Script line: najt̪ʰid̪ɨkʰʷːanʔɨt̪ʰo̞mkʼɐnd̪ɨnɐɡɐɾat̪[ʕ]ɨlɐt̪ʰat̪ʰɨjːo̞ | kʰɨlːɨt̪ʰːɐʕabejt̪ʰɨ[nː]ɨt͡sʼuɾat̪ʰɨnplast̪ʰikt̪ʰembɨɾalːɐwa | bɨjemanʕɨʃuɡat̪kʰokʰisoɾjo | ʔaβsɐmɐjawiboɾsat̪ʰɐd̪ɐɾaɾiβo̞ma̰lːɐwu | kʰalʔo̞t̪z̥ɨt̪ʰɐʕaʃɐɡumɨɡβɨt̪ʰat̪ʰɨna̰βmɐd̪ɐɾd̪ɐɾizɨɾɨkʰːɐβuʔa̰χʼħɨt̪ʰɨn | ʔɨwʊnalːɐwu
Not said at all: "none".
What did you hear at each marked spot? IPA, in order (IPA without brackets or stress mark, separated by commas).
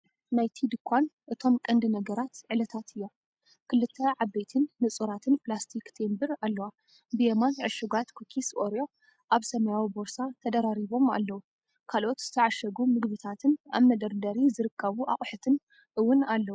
ʕ, nː